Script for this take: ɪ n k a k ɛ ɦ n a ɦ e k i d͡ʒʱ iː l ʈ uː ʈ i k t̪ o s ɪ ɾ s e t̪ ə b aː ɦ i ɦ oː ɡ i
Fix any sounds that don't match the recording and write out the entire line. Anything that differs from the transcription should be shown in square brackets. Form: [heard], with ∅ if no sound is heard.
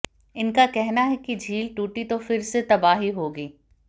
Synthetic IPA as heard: ɪ n k a k ɛ ɦ n a ɦ [ɛ] k i d͡ʒʱ iː l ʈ uː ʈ i [∅] t̪ o [f] ɪ ɾ s e t̪ [ɐ] b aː ɦ i ɦ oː ɡ [iː]